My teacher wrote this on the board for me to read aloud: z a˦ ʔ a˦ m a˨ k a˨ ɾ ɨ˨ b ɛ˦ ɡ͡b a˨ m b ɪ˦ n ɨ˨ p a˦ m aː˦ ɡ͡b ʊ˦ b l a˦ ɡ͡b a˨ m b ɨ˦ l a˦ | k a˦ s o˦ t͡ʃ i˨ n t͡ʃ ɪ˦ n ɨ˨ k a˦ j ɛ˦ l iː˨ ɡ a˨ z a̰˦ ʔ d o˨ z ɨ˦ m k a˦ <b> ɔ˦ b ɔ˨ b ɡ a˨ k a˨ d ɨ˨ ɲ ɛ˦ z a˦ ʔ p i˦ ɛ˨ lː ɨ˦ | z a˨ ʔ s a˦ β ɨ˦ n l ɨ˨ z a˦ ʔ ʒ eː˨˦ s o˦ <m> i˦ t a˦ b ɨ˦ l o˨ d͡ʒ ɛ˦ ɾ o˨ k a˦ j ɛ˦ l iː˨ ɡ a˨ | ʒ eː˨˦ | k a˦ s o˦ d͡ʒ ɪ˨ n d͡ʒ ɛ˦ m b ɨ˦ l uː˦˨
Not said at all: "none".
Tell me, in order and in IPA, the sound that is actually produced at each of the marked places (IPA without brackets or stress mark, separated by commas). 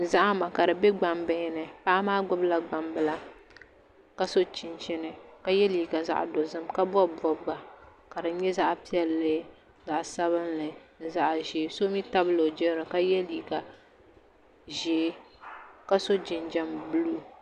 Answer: b, m